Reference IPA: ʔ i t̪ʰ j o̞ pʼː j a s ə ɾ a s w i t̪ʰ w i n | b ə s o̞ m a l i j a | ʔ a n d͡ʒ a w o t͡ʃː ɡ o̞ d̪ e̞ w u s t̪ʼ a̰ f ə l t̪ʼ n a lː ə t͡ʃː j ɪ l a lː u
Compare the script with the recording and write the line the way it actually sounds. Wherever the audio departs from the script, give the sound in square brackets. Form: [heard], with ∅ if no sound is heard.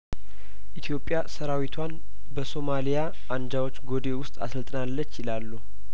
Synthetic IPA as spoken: ʔ i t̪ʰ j o̞ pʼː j a s ə ɾ a [∅] w i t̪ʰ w [a] n | b ə s o̞ m a l i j a | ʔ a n d͡ʒ a w o t͡ʃː ɡ o̞ d̪ e̞ w [ʊ] s t̪ʼ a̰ [s] ə l t̪ʼ n a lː ə t͡ʃː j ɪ l a lː u